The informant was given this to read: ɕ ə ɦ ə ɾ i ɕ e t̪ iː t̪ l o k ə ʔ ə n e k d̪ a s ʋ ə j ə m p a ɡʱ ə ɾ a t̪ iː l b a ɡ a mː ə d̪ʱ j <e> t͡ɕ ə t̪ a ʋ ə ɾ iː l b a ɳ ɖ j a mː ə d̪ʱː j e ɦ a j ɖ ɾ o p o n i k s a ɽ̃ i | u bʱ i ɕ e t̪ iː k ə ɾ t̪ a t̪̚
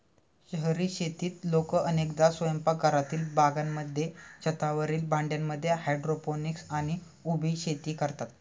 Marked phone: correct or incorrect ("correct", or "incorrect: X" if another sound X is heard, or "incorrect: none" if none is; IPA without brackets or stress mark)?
correct